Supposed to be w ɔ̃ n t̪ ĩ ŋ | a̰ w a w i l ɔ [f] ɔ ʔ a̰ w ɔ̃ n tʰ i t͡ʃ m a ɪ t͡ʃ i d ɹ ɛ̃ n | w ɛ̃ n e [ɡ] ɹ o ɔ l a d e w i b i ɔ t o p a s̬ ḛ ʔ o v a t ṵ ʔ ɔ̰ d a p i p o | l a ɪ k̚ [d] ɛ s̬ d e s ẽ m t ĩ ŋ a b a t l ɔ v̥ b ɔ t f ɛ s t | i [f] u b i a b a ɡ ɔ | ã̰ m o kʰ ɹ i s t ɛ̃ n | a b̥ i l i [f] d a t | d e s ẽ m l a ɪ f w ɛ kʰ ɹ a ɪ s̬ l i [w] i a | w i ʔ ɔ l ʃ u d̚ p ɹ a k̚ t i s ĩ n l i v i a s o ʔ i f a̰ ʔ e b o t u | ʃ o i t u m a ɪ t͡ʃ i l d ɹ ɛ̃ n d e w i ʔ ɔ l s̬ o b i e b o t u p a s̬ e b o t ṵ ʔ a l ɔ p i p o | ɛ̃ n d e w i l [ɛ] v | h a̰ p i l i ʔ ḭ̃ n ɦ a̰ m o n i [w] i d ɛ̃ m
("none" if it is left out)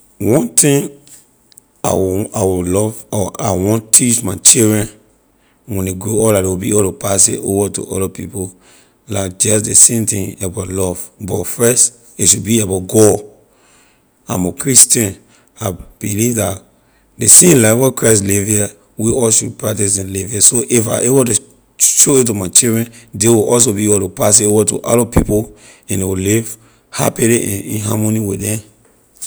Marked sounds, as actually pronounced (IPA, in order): v, ɡ, d͡ʒ, ʃ, v, v, i, w

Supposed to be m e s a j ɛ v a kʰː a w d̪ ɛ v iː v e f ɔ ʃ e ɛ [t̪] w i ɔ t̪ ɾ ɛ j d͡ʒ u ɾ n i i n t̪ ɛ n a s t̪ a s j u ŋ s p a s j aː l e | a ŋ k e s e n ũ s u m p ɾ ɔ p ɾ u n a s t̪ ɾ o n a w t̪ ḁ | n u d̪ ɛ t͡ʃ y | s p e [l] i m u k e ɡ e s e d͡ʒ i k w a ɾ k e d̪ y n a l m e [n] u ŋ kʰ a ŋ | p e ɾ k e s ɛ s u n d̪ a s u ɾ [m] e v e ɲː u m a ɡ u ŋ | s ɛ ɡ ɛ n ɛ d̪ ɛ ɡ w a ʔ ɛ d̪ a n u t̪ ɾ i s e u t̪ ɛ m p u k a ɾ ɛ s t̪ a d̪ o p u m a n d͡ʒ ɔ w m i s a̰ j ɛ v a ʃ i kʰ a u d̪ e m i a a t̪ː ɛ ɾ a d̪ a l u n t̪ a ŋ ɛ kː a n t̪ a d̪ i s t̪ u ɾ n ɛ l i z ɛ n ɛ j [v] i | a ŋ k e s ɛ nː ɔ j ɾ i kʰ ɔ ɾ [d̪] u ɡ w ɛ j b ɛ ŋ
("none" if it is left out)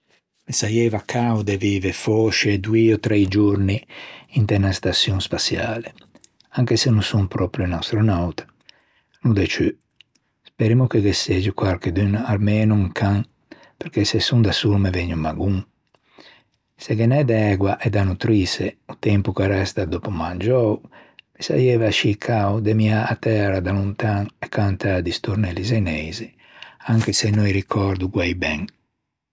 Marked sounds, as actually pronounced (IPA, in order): d̪, ɾ, n, m, z, d̪

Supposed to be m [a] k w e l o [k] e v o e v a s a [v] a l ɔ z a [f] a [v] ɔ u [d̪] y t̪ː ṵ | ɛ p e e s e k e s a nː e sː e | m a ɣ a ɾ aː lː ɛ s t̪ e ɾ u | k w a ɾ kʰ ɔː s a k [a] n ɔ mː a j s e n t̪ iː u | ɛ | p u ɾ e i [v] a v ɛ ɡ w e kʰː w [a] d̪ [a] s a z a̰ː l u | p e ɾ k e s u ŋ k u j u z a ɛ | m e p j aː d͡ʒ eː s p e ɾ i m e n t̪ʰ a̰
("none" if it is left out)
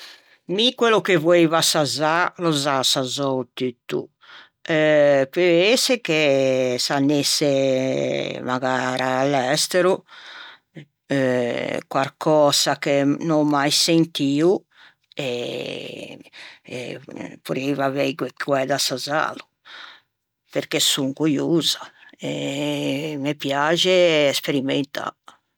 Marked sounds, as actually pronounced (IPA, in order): i, k, z, s, z, t̪, e, v, ɛ, a

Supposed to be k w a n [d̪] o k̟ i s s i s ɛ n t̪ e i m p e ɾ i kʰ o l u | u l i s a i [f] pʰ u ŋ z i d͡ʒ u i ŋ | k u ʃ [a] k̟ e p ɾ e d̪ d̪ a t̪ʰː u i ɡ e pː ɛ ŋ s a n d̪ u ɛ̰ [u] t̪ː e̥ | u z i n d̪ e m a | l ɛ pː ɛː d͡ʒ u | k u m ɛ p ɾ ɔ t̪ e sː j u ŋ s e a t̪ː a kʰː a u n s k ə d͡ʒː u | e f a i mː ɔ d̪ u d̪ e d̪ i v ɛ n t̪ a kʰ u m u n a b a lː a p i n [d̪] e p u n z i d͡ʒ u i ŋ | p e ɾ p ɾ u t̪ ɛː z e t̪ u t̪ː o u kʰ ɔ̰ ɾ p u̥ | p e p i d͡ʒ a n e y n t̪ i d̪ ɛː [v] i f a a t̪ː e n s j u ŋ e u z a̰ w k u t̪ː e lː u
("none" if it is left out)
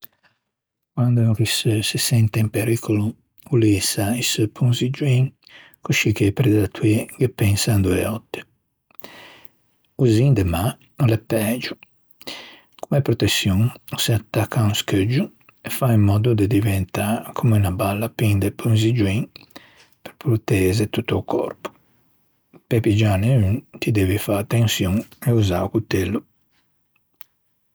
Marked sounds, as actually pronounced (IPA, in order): d̪, s, i, ɔ, d̪, v

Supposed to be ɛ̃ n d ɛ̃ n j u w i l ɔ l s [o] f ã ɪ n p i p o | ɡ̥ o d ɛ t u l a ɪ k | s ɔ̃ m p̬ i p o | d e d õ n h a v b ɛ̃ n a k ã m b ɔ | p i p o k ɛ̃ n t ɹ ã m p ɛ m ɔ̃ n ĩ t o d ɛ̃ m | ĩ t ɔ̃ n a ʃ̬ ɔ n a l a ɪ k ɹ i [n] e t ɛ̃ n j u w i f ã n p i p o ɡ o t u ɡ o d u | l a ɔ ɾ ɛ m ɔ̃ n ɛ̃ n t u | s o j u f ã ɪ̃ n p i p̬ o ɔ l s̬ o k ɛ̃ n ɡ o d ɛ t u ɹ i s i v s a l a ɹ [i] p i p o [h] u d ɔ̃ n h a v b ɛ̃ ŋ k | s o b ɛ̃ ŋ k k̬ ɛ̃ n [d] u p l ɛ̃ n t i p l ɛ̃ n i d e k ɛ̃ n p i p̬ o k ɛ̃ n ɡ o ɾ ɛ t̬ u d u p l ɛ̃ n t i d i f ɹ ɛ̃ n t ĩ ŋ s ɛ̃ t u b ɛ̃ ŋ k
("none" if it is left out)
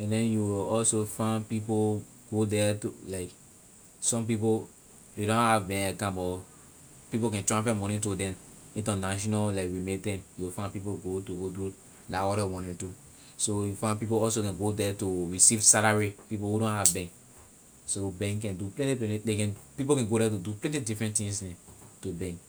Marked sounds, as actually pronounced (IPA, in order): o, m, i, h, d

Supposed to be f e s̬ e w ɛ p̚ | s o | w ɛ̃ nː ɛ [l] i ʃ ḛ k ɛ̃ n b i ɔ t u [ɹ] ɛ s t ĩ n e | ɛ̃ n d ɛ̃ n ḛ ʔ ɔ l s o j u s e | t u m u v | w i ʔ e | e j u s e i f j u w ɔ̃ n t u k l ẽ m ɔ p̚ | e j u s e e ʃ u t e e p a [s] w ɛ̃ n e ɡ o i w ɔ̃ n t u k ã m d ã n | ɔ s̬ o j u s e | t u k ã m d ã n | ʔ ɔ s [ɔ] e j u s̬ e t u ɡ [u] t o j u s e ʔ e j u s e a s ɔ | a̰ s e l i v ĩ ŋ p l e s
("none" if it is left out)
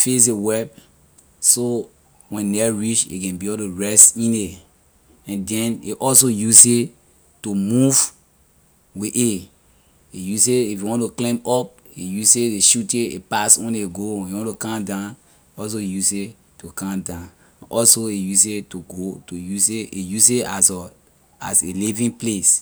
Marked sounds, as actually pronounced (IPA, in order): ɹ, ɹ, s, o, o

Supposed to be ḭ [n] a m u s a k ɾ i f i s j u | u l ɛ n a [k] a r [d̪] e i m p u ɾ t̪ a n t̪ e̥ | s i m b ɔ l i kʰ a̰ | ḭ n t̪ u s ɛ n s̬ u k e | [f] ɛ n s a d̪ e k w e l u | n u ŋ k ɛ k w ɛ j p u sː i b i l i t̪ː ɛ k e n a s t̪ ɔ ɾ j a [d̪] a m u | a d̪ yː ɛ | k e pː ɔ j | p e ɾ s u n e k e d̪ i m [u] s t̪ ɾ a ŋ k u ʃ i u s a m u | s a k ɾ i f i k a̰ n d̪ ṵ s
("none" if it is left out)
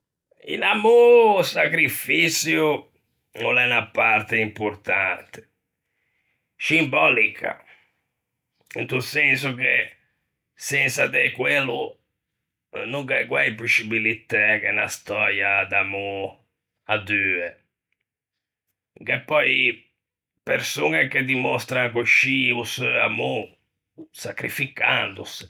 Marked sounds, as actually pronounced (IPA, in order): n, p, t̪, s, d̪, ɔ

